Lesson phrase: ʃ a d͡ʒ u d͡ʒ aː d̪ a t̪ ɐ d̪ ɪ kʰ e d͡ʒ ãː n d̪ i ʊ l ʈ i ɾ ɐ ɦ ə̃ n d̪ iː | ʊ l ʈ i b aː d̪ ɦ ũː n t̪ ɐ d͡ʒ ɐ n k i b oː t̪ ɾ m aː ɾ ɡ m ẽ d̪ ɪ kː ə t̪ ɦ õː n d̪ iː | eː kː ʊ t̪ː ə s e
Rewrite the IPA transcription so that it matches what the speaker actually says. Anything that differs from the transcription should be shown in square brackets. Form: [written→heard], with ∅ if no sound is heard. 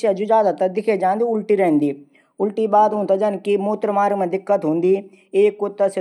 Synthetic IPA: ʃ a d͡ʒ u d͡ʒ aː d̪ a t̪ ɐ d̪ ɪ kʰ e d͡ʒ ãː n d̪ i ʊ l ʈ i ɾ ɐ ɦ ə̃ n d̪ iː | ʊ l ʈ i b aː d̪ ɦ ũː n t̪ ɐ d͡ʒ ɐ n k i [b→m] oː t̪ ɾ m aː ɾ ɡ m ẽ d̪ ɪ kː ə t̪ ɦ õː n d̪ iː | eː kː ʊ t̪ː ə s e